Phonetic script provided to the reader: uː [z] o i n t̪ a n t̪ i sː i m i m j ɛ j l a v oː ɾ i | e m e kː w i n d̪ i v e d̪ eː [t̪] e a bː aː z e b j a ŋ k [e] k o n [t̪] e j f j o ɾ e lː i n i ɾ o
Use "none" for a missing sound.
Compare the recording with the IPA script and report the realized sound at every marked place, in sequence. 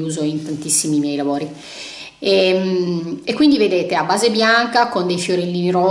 z, t̪, a, d̪

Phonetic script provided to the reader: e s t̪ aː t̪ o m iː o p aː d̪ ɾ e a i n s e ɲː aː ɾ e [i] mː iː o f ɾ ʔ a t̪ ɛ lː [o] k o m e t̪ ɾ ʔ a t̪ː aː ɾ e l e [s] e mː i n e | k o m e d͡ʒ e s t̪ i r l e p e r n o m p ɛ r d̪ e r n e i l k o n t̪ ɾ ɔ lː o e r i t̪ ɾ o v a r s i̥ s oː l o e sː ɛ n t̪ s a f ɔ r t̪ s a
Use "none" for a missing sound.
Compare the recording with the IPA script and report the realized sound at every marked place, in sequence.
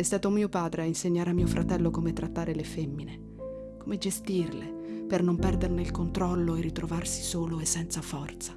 a, o, f

